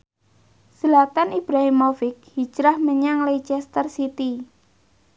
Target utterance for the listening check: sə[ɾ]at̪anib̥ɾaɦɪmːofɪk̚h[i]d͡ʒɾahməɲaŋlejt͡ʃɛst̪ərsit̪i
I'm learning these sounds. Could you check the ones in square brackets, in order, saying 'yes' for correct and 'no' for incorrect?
no, yes

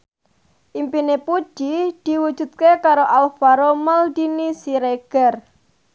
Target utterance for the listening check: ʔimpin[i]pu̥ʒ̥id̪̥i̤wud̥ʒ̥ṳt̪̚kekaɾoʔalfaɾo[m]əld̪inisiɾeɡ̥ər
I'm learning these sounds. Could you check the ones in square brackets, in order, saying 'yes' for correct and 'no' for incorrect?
no, yes

